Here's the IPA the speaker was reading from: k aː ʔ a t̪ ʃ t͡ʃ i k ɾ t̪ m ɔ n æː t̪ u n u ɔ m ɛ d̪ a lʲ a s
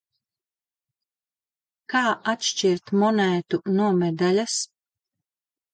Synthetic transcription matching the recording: k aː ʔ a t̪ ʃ t͡ʃ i ɾ t̪ m ɔ n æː t̪ u n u ɔ m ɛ d̪ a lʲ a s